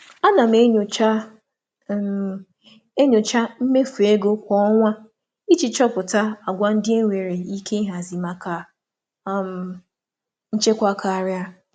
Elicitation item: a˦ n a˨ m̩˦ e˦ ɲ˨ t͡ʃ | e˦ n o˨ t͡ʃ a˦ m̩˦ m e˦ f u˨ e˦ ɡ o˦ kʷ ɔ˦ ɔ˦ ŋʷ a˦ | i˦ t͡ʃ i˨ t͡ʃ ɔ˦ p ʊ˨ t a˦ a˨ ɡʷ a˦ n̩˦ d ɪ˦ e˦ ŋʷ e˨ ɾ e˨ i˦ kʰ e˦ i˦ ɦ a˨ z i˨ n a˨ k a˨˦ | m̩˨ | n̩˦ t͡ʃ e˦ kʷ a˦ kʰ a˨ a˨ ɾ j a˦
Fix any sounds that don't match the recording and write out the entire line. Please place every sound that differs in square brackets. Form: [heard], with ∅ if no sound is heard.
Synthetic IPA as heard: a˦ n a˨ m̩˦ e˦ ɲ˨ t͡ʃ | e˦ [ɲ] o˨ t͡ʃ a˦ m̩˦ m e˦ f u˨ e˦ ɡ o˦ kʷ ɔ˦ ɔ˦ ŋʷ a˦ | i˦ t͡ʃ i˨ t͡ʃ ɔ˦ p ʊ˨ t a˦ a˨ ɡʷ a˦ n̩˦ d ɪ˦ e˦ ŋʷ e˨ ɾ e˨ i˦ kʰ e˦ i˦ ɦ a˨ z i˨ [m] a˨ k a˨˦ | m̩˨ | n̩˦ t͡ʃ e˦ kʷ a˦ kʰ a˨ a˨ ɾ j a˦